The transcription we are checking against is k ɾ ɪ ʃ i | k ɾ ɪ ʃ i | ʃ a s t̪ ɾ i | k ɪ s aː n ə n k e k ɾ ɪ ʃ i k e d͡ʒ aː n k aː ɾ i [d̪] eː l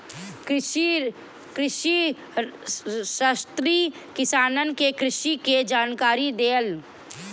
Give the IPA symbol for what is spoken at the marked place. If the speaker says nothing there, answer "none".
d̪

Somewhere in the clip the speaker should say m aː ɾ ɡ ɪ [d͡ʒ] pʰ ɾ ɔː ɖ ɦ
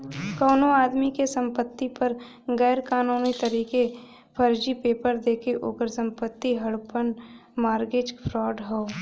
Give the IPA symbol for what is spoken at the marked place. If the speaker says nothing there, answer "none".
d͡ʒ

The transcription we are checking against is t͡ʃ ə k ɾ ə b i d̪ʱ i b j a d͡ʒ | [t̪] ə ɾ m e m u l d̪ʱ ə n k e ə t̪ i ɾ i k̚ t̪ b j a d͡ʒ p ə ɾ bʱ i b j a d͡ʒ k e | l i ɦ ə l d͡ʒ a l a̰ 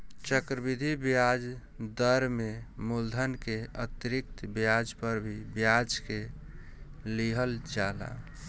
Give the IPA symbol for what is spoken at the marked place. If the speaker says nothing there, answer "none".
d̪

